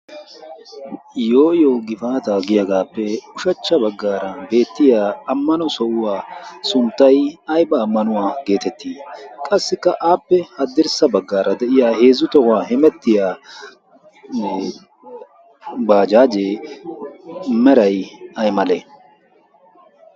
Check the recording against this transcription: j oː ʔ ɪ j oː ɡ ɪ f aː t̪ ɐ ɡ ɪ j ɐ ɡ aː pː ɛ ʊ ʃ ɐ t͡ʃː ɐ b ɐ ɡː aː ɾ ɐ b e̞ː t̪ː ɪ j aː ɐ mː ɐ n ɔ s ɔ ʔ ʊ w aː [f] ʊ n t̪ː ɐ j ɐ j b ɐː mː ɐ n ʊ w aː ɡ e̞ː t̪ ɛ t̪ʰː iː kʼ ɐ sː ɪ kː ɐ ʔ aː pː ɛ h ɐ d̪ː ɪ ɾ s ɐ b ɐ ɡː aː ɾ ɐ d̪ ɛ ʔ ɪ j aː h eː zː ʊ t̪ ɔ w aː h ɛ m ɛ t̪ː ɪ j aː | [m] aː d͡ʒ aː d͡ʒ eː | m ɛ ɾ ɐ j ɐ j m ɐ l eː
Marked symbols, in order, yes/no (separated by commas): no, no